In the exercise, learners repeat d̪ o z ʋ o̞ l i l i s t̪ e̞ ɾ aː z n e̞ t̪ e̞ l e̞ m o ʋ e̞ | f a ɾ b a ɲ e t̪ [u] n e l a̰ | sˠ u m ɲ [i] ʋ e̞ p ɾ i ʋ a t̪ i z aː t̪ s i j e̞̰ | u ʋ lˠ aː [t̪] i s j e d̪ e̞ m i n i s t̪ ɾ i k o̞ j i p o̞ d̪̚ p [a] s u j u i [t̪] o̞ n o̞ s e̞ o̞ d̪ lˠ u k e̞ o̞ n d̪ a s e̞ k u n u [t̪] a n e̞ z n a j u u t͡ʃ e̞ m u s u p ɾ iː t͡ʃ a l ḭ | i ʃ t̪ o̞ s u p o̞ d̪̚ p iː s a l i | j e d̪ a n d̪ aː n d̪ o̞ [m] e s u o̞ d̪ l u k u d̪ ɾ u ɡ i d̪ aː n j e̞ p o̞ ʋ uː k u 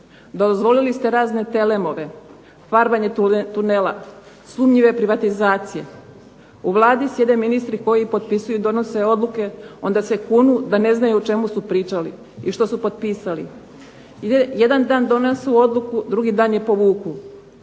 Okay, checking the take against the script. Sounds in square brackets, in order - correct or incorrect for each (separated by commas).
correct, correct, incorrect, incorrect, incorrect, incorrect, incorrect